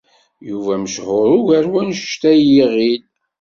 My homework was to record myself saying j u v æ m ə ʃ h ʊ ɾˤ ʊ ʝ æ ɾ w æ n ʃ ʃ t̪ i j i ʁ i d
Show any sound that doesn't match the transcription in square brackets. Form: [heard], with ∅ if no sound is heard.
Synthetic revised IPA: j u v æ m ə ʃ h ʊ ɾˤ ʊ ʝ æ ɾ w æ n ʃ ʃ t̪ [æ] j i ʁ i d